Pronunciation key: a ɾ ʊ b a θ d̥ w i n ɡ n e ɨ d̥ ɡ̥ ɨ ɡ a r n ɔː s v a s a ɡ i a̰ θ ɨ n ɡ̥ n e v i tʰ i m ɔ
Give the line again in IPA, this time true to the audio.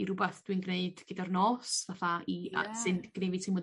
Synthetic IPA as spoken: i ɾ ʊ b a θ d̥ w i n ɡ n e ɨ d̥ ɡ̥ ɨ d a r n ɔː s v a θ a i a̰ s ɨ n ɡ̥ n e v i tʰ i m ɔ